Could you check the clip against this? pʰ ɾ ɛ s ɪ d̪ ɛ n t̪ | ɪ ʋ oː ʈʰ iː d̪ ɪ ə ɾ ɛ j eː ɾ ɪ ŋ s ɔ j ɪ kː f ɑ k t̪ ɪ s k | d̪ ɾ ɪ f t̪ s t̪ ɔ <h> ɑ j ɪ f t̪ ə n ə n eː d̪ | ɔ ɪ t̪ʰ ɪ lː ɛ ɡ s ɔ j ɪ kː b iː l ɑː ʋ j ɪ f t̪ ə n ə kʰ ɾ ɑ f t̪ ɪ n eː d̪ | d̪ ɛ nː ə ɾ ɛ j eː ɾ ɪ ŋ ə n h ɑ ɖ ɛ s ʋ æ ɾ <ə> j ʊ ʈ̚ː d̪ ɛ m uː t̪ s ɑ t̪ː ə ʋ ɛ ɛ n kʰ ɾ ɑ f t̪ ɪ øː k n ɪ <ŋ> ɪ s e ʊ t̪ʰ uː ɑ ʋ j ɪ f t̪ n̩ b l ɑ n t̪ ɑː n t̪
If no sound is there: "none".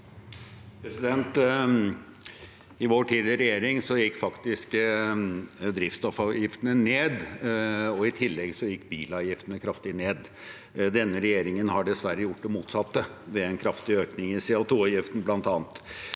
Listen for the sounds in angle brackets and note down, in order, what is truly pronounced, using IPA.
f, ə, ŋ

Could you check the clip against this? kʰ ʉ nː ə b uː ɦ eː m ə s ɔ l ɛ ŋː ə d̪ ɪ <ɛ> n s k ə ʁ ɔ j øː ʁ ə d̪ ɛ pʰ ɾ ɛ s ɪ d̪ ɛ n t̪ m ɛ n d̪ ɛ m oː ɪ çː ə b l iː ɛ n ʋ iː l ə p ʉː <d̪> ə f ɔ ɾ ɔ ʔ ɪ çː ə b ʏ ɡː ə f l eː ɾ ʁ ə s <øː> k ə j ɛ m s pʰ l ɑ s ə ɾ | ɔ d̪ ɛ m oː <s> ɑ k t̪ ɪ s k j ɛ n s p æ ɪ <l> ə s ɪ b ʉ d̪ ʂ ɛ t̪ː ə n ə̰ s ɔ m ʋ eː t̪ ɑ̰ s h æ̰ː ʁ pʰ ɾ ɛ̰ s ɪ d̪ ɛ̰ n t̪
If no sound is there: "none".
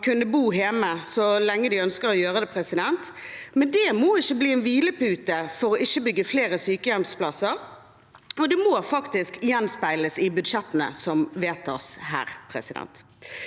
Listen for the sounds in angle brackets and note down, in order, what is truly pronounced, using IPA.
œ, t̪, yː, f, l

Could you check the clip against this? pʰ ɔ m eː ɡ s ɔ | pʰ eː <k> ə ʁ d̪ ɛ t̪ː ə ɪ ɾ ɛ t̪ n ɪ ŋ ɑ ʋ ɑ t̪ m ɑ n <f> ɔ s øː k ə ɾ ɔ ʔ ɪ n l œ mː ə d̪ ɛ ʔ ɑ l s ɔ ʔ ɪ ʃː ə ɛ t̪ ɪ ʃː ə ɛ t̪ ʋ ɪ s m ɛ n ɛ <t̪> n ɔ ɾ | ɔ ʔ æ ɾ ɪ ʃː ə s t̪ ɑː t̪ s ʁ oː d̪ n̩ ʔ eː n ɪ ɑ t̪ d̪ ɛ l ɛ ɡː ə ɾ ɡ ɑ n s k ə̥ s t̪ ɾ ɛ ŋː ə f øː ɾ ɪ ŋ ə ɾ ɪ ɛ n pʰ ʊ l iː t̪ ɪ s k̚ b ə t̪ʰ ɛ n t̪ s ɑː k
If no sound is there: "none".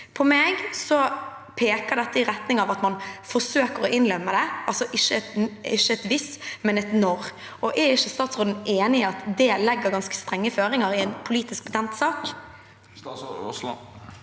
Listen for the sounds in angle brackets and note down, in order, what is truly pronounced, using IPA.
k, f, t̪

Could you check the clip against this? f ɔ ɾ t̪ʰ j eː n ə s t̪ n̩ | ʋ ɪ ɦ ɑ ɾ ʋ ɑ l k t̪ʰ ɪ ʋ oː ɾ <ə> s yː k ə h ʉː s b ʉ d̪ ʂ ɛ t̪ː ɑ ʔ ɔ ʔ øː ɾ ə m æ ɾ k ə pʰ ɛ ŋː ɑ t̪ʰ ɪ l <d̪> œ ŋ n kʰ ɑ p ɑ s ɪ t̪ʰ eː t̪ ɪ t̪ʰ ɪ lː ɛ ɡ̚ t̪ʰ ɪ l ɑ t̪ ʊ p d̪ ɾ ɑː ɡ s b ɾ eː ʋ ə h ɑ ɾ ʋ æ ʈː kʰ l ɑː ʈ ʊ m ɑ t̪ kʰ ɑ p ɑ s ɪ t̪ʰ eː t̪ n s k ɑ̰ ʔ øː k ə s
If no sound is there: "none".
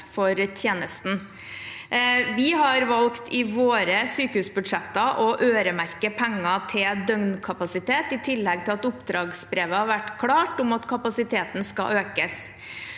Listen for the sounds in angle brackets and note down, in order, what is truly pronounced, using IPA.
ə, d̪

